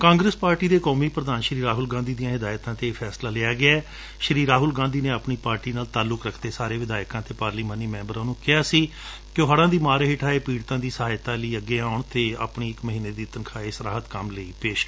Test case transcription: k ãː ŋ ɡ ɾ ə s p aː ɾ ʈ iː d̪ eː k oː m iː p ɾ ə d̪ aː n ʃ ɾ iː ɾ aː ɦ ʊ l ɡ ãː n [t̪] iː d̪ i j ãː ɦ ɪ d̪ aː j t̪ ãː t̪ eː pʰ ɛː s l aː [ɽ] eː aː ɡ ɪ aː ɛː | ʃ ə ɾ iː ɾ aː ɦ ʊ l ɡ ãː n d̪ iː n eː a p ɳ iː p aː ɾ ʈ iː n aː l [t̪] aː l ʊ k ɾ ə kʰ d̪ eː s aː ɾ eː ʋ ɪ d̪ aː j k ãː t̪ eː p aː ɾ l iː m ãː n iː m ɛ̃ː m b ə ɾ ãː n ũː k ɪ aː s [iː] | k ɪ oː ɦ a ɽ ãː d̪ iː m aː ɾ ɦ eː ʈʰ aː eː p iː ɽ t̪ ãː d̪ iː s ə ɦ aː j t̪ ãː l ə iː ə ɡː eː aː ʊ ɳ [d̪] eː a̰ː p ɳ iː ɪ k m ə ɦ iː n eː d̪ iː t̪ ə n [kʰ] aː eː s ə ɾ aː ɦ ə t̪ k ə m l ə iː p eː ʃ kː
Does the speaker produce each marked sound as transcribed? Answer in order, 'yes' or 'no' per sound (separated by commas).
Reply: no, no, yes, yes, no, yes